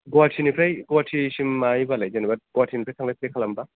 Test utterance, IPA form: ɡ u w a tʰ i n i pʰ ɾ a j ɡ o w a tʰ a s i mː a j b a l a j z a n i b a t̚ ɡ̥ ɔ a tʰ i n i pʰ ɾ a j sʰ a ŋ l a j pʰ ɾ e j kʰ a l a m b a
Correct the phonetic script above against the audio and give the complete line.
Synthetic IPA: ɡ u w a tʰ i n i pʰ ɾ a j ɡ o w a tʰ i s i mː a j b a l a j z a n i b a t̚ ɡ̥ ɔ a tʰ i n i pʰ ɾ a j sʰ a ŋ l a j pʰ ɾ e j kʰ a l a m b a